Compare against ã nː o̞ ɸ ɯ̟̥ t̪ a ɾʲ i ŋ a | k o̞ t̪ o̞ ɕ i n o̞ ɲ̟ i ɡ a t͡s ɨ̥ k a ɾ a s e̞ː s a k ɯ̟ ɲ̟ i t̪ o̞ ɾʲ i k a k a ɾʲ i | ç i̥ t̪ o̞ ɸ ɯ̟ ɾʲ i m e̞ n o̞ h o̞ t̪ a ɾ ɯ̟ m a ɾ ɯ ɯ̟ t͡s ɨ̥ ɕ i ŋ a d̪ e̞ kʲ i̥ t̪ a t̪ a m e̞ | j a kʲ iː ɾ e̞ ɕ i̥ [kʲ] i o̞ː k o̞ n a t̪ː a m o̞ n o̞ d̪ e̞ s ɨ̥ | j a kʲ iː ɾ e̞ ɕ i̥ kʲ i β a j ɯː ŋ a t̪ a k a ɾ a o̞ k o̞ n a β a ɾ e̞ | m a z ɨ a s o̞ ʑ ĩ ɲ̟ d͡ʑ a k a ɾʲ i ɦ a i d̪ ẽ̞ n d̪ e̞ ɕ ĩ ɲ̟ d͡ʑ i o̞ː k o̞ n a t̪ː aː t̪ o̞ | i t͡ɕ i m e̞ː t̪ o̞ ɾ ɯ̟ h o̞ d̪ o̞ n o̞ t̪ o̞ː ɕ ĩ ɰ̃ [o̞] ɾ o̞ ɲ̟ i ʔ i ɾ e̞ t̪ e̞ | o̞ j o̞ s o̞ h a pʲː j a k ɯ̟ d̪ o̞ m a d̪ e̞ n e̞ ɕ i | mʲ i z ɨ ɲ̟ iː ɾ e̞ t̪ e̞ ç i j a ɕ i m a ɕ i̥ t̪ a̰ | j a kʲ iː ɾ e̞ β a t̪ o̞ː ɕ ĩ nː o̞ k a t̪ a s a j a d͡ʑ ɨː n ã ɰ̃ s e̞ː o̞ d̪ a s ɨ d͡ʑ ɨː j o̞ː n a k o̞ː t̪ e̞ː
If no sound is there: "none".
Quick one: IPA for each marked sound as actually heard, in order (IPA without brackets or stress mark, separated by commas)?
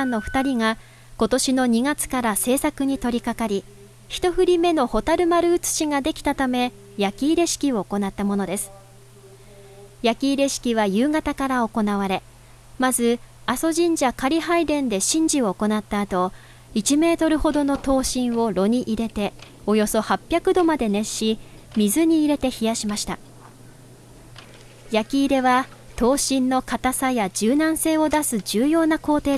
kʲ, o̞